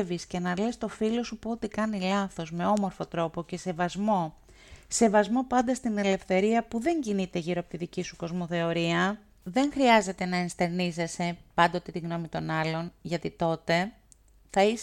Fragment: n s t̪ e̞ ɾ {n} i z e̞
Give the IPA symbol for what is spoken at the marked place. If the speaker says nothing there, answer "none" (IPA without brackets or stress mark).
n